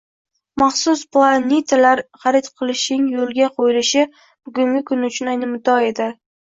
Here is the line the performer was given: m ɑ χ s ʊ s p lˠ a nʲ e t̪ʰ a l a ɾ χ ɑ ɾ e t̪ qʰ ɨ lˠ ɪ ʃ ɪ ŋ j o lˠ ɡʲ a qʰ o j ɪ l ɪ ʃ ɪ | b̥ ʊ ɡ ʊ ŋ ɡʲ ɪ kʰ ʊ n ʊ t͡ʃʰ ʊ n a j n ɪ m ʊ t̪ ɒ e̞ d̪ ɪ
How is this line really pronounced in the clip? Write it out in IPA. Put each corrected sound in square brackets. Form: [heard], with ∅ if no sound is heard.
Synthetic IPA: m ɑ χ s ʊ s p lˠ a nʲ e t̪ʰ a l a ɾ χ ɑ ɾ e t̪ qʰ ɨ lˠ ɪ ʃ ɪ ŋ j o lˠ ɡʲ a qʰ o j ɪ l ɪ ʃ ɪ | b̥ ʊ ɡ ʊ ŋ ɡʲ ɪ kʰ ʊ n ʊ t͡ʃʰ ʊ n a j n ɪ m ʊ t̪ ɒ e̞ d̪ ɪ